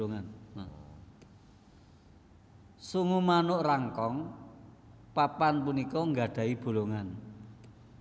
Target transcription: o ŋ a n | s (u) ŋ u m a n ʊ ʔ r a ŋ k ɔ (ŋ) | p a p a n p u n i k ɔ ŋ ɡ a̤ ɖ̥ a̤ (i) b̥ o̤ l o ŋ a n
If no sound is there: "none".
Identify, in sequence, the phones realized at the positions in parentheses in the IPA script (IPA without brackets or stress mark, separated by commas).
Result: u, ŋ, i